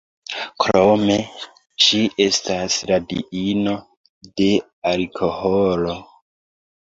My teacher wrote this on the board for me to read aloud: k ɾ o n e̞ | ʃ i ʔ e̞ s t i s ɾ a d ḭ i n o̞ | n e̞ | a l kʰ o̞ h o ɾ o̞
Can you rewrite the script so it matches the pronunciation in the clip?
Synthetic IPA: k ɾ o m e̞ | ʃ i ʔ e̞ s t a s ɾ a d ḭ i n o̞ | d e̞ | a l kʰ o̞ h o l o̞